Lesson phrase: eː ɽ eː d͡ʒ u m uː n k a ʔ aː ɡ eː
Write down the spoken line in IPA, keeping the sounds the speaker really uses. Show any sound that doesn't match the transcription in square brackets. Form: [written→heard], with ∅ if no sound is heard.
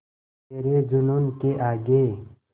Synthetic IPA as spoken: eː [ɽ→ɾ] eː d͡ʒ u [m→n] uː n k [a→e] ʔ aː ɡ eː